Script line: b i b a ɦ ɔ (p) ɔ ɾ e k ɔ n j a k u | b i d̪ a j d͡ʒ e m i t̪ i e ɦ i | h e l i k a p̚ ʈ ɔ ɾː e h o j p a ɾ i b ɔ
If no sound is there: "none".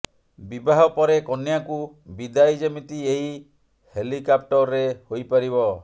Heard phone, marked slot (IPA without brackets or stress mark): p